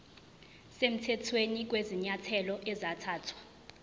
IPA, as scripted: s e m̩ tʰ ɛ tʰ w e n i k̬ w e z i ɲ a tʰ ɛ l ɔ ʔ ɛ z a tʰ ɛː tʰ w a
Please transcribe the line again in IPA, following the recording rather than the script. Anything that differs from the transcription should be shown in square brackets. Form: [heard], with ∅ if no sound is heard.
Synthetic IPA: s e m̩ tʰ ɛ tʰ w e n i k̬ w e z i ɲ a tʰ ɛ l ɔ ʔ ɛ z a tʰ [aː] tʰ w a